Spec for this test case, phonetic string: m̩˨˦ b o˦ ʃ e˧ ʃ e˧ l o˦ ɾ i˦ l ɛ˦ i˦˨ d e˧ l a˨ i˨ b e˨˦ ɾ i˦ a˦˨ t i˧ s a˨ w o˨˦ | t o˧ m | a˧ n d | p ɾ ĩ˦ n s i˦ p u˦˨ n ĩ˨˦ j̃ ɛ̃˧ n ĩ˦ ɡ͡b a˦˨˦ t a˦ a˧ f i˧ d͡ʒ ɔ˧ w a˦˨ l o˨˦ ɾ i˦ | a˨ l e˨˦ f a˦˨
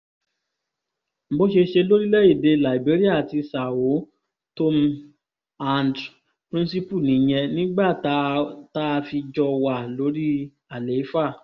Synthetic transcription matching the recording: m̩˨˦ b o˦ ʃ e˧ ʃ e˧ l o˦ ɾ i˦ l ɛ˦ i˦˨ d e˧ l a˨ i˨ b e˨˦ ɾ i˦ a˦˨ t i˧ s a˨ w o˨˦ | t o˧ m | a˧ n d | p ɾ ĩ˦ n s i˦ p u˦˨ n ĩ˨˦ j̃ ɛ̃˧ n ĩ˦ ɡ͡b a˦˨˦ t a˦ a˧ f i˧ d͡ʒ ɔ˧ w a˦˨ l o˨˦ ɾ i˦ | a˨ l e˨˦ f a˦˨